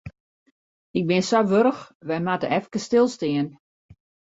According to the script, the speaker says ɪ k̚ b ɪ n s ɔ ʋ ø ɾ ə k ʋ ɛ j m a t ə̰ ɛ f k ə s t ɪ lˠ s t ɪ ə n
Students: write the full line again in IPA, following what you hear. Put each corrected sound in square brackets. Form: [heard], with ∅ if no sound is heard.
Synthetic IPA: ɪ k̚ b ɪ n s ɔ ʋ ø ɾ ə [x] ʋ ɛ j m a t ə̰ ɛ f k ə s t ɪ lˠ s t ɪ ə n